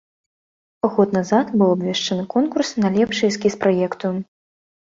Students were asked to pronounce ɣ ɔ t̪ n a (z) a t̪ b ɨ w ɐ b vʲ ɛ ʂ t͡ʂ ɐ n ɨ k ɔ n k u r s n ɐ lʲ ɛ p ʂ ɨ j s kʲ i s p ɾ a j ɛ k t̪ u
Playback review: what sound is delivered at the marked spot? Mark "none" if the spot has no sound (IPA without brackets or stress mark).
z